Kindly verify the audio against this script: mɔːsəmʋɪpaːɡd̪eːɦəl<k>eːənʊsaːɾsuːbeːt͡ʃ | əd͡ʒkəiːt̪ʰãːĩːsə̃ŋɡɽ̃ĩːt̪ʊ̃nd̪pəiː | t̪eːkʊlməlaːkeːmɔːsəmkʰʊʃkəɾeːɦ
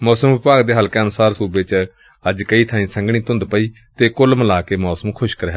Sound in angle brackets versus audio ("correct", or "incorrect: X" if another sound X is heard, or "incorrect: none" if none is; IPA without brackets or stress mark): correct